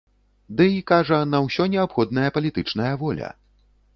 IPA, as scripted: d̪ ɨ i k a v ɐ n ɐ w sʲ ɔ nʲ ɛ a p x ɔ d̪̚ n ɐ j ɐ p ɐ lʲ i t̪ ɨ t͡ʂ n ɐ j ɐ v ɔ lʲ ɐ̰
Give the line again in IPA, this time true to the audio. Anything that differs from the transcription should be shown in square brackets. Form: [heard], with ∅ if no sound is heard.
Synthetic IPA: d̪ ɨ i k a [ʐ] ɐ n ɐ w sʲ ɔ nʲ ɛ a p x ɔ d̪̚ n ɐ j ɐ p ɐ lʲ i t̪ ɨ t͡ʂ n ɐ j ɐ v ɔ lʲ ɐ̰